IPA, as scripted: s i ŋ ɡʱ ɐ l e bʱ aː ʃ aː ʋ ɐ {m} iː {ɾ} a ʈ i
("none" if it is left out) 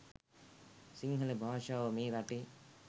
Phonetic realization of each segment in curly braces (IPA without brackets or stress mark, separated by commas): m, ɾ